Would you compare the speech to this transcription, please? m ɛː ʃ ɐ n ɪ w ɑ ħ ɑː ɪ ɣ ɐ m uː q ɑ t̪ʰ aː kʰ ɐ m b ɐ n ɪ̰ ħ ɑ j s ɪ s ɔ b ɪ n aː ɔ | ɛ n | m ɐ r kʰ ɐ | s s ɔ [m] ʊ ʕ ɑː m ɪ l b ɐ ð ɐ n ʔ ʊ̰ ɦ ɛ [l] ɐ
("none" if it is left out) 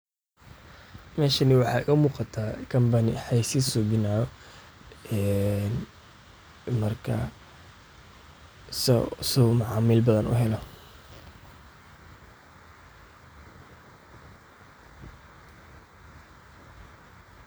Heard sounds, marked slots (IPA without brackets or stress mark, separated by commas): m, l